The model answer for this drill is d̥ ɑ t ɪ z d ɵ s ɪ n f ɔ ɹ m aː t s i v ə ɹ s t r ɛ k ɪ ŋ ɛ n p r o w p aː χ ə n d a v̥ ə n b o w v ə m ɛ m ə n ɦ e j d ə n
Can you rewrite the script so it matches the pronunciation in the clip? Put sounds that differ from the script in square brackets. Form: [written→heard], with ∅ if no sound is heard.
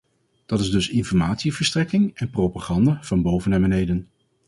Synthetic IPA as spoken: d̥ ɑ t ɪ z d ɵ s ɪ n f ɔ ɹ m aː t s i v ə ɹ s t r ɛ k ɪ ŋ ɛ n p r o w p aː χ [ə→ɑ] n d a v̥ [ə→ɑ] n b o w v ə [m→n] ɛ m ə n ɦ e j d ə n